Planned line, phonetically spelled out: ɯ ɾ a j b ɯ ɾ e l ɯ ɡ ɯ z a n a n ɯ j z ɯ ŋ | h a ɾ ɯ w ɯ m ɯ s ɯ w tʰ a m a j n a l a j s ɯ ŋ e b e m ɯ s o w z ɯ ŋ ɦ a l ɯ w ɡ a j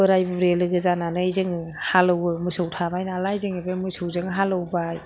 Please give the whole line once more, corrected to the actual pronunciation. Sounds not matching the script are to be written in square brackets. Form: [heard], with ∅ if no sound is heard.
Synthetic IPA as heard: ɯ ɾ a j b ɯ ɾ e l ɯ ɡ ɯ z a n a n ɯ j z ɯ ŋ | h a [l] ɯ w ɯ m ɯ s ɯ w tʰ a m a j n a l a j [z] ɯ ŋ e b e m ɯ s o w z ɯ ŋ ɦ a l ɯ w [b] a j